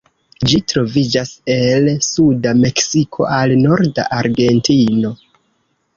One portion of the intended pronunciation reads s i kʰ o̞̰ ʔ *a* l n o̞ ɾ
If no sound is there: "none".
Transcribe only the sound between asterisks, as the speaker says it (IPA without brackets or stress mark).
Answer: a